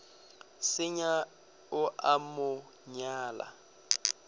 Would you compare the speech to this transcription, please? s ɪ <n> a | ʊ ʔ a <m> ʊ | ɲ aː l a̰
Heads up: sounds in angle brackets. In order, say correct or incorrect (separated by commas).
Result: incorrect, correct